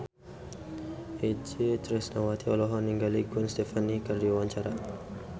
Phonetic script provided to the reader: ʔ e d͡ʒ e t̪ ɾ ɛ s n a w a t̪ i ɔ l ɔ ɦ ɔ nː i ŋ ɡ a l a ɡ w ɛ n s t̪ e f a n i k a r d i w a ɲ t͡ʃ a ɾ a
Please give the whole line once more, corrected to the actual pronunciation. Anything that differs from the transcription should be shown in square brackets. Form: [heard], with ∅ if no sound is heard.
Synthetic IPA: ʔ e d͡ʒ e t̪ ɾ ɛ s n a w a t̪ i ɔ l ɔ ɦ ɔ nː i ŋ ɡ a l [i] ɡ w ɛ n s t̪ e f a n i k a r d i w a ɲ t͡ʃ a ɾ a